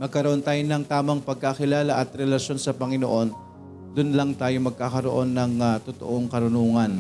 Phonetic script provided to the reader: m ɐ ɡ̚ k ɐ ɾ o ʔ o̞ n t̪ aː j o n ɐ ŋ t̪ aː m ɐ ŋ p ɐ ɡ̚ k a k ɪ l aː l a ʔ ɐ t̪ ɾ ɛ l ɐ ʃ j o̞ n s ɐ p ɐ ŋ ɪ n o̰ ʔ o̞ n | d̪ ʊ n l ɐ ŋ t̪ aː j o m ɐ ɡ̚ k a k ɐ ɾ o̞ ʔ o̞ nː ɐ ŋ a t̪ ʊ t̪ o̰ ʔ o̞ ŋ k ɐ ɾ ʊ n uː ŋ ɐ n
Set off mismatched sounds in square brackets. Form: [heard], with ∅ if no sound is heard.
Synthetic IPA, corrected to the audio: m ɐ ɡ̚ k ɐ ɾ o ʔ o̞ n t̪ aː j o n ɐ ŋ t̪ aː m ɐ ŋ p ɐ ɡ̚ k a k ɪ l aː l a ʔ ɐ t̪ ɾ ɛ l ɐ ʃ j o̞ n s ɐ p ɐ ŋ ɪ n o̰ ʔ o̞ n | d̪ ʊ n l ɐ ŋ t̪ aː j o m ɐ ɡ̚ k a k ɐ ɾ o̞ ʔ o̞ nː ɐ ŋ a t̪ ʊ t̪ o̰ ʔ o̞ ŋ k ɐ ɾ ʊ n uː ŋ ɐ n